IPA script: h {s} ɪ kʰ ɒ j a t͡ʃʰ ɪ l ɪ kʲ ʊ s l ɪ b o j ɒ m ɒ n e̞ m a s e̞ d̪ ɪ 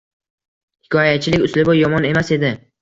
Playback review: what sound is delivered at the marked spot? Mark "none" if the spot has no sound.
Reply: h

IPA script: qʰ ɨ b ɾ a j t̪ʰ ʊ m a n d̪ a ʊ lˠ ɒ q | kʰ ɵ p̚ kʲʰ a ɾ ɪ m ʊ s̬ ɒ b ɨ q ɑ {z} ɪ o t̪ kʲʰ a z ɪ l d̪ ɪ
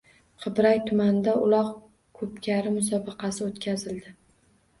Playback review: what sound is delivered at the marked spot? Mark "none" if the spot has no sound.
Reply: s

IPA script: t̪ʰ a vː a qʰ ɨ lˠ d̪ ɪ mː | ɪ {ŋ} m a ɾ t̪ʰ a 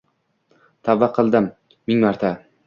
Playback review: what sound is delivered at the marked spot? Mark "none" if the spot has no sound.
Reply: ŋ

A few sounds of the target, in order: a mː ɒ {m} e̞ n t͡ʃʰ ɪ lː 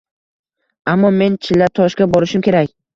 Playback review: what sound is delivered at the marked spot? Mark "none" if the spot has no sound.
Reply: m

